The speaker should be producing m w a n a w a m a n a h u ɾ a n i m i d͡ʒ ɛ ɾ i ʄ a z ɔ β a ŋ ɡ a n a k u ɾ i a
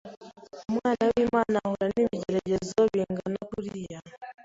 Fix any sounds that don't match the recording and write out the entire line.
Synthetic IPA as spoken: m w a n a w i m a n a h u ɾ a n i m i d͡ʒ ɛ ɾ ɛ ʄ ɛ z ɔ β i ŋ ɡ a n a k u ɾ i a